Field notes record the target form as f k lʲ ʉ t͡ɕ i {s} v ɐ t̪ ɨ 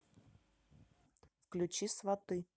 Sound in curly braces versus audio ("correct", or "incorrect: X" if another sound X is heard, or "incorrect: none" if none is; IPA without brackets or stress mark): correct